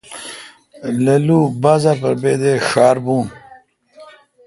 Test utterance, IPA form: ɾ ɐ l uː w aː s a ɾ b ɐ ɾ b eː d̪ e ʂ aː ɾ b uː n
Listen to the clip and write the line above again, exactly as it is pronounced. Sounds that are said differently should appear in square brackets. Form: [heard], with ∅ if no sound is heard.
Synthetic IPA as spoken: [l] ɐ l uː [b] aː [z] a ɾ [p] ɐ ɾ b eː d̪ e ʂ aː ɾ b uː n